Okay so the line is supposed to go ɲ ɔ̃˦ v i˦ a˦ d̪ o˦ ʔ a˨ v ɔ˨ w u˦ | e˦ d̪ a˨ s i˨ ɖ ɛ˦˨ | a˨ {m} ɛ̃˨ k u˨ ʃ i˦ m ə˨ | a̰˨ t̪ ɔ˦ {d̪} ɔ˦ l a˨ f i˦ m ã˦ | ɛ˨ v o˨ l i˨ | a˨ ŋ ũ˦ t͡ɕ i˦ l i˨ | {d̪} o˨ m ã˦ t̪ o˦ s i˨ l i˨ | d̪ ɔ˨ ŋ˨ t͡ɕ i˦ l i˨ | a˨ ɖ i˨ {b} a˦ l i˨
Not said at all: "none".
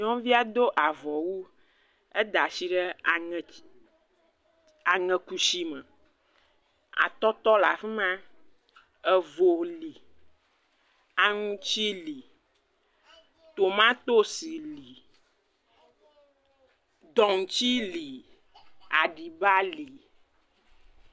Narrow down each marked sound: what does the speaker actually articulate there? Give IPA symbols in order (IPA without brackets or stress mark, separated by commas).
ŋ, t̪, t̪, b